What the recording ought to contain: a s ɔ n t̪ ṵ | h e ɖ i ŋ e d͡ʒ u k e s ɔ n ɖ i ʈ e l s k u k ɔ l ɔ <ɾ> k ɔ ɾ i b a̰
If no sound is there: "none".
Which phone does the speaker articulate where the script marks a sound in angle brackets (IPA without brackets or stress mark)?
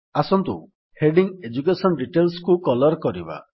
ɾ